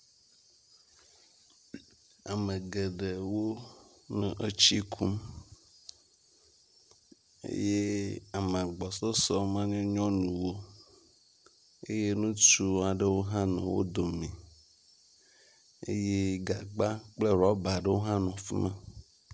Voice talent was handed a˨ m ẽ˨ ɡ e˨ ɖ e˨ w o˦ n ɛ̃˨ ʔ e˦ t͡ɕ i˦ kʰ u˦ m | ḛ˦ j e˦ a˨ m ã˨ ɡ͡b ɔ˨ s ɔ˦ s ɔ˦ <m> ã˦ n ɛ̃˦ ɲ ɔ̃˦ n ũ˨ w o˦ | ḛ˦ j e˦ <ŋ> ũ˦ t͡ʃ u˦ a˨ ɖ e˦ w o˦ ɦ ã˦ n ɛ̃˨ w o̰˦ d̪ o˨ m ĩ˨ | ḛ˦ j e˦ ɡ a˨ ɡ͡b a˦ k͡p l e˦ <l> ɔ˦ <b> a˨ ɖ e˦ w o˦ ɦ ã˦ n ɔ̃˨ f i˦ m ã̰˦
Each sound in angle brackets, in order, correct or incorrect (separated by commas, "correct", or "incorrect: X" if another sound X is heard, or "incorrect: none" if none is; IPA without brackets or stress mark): correct, incorrect: n, incorrect: ɾ, correct